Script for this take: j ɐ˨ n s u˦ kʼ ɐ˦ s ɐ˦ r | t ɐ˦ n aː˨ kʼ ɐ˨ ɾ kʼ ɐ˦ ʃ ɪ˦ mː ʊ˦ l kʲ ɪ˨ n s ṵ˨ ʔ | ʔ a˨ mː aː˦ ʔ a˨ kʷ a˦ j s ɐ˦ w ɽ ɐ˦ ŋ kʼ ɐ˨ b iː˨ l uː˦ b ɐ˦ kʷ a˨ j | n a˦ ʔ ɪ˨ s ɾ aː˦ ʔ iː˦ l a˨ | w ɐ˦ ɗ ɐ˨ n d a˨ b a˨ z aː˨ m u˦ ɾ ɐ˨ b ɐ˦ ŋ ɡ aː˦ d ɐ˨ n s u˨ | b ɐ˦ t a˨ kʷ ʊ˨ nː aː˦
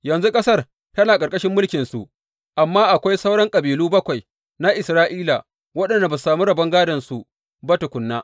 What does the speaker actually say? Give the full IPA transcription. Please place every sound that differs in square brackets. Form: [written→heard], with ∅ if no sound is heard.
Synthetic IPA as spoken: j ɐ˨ n [s→z] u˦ kʼ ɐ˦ s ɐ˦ r | t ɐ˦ n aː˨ kʼ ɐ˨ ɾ kʼ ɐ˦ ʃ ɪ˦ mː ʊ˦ l kʲ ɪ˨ n s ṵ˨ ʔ | ʔ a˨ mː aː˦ ʔ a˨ kʷ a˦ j s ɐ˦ w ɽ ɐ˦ ŋ kʼ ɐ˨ b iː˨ l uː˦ b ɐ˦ kʷ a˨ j | n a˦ ʔ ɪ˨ s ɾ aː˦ ʔ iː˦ l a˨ | w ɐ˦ ɗ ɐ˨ n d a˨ b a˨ [z→s] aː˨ m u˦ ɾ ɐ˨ b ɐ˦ ŋ ɡ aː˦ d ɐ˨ n s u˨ | b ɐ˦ t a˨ kʷ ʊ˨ nː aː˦